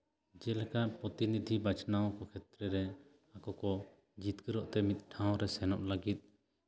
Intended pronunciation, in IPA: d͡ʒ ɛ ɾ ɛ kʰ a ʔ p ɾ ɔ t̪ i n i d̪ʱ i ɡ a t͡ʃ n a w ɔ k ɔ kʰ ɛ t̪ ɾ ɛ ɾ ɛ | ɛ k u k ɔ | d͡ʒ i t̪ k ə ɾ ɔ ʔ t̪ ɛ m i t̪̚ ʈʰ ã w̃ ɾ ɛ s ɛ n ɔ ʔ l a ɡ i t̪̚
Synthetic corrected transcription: d͡ʒ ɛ l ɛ k a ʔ p ɾ ɔ t̪ i n i d̪ʱ i b a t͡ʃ n a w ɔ k ɔ kʰ ɛ t̪ ɾ ɛ ɾ ɛ | a k ɔ k ɔ | d͡ʒ i t̪ k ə ɾ ɔ ʔ t̪ ɛ m i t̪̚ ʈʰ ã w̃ ɾ ɛ s ɛ n ɔ ʔ l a ɡ i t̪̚